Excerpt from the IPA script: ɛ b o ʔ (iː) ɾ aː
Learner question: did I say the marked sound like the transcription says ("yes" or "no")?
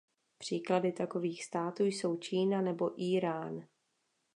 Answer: yes